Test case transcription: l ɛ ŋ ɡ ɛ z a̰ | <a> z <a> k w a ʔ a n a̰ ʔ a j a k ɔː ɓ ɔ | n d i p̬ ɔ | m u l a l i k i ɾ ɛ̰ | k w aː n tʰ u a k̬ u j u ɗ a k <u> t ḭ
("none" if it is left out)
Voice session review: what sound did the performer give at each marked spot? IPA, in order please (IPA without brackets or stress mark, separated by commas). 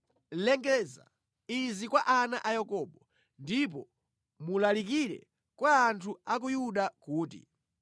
i, i, uː